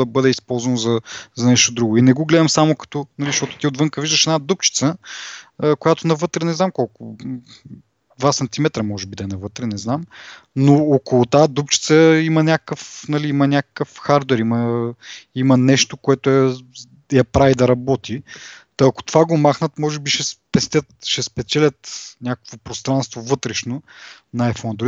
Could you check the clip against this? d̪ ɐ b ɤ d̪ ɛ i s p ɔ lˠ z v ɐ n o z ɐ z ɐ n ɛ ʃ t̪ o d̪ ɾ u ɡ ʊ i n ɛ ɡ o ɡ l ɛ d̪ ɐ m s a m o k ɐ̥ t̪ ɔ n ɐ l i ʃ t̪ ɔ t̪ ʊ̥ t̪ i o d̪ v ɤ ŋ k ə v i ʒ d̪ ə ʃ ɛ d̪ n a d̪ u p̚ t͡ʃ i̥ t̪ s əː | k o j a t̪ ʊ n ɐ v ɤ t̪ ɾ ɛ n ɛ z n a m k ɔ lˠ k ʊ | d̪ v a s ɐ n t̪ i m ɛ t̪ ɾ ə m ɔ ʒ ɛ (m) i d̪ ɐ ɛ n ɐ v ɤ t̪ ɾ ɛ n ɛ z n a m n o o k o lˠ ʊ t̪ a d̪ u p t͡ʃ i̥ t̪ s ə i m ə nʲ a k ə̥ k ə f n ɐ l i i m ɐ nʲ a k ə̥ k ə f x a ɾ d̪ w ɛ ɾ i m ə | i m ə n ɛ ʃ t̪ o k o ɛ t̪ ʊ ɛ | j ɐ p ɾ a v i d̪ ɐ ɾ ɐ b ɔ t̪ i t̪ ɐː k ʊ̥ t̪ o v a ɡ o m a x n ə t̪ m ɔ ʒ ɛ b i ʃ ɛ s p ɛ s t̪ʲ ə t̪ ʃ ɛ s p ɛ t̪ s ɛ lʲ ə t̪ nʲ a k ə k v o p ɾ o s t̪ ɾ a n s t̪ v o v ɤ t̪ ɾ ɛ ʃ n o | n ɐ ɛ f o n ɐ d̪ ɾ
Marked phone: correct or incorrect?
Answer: incorrect